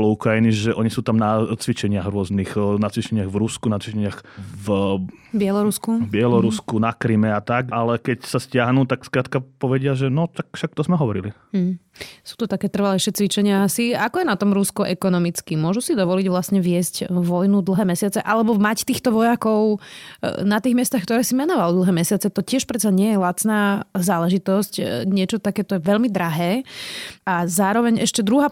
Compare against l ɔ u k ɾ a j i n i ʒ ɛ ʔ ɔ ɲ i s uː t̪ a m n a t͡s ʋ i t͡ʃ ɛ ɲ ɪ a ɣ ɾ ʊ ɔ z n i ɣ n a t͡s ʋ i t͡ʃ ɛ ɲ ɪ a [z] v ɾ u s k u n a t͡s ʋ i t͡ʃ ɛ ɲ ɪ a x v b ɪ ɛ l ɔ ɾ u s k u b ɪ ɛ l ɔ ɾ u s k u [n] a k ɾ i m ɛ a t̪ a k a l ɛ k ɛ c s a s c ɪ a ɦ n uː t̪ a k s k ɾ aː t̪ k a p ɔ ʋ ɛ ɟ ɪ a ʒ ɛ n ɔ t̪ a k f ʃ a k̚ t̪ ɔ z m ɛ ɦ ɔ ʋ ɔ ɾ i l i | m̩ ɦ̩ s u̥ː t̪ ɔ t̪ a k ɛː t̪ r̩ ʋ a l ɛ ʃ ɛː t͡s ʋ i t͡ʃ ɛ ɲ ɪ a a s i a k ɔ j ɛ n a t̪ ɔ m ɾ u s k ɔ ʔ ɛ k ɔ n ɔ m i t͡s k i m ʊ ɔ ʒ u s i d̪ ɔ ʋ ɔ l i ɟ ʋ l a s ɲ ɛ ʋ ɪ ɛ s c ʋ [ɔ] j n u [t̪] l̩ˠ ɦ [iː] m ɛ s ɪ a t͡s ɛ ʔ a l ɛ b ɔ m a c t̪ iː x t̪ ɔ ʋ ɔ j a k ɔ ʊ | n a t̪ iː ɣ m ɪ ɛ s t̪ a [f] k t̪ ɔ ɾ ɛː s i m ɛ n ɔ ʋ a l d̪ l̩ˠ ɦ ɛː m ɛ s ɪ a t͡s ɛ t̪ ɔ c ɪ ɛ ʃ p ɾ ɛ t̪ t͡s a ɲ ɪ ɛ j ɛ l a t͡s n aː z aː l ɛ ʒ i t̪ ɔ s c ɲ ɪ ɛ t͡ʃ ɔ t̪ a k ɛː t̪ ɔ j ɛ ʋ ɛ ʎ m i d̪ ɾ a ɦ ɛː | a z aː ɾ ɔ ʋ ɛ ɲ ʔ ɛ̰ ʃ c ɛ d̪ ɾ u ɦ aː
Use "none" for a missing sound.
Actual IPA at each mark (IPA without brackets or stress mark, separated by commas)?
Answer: ɣ, n, ɔ, d̪, ɛː, x